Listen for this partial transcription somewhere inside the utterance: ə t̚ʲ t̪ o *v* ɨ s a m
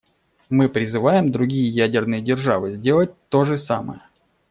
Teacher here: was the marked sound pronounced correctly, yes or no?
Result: no